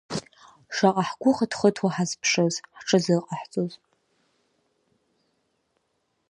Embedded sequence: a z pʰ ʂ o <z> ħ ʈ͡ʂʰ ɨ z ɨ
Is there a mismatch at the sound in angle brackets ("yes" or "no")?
no